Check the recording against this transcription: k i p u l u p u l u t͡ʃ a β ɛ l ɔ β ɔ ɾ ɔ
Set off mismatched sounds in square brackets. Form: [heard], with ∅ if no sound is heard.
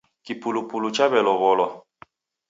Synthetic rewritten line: k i p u l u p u l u t͡ʃ a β ɛ l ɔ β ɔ [l] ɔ